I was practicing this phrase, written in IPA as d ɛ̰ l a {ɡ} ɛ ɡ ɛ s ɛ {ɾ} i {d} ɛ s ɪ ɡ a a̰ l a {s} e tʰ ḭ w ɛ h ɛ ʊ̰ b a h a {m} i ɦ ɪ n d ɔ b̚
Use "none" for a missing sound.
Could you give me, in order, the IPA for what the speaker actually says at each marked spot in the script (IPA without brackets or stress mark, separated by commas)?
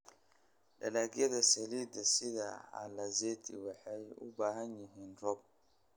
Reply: ɡ, l, d, z, ɲ